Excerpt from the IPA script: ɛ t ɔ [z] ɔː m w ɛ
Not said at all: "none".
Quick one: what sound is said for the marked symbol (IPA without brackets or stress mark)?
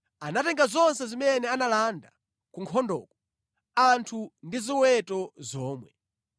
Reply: z